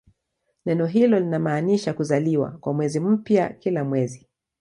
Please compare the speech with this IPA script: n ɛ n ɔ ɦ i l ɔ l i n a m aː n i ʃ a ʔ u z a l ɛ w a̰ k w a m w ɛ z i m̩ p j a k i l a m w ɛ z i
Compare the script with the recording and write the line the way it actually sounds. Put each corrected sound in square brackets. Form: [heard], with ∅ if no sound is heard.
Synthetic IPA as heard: n ɛ n ɔ ɦ i l ɔ l i n a m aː n i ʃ a [k] u z a l [i] w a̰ k w a m w ɛ z i m̩ p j a k i l a m w ɛ z i